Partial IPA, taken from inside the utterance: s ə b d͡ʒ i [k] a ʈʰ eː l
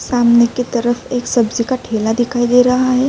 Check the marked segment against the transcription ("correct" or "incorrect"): correct